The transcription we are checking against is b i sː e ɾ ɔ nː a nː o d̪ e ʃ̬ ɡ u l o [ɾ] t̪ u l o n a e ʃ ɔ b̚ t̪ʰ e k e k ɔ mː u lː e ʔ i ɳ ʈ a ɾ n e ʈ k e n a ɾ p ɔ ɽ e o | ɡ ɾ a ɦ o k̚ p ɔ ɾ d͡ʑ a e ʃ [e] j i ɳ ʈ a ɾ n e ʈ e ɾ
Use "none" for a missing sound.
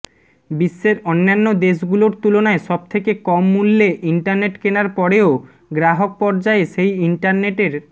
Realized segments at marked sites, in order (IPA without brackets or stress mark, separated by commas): ɾ, e